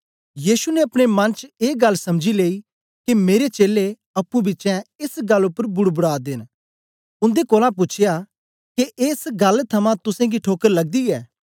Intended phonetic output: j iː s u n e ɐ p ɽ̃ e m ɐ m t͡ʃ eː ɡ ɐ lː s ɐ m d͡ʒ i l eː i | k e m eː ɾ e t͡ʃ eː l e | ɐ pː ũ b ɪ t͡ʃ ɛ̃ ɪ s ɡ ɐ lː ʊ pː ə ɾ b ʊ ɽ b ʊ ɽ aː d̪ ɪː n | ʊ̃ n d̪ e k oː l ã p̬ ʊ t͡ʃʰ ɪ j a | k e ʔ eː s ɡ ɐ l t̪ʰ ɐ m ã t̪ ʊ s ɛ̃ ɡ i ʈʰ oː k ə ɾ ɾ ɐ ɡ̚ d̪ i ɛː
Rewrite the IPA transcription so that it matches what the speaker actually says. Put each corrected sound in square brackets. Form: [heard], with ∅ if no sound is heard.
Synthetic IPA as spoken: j iː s u n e ɐ p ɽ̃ e m ɐ [n] t͡ʃ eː ɡ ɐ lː s ɐ m d͡ʒ i l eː i | k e m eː ɾ e t͡ʃ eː l e | ɐ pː ũ b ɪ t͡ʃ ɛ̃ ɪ s ɡ ɐ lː ʊ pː ə ɾ b ʊ ɽ b ʊ ɽ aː d̪ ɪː n | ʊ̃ n d̪ e k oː l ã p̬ ʊ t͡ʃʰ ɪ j a | k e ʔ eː s ɡ ɐ l t̪ʰ ɐ m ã t̪ ʊ s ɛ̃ ɡ i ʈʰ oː k ə ɾ [l] ɐ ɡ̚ d̪ i ɛː